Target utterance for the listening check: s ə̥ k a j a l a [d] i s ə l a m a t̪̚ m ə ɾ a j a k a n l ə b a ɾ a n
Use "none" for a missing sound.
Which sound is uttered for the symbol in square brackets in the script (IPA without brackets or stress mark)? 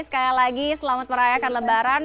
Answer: ɡ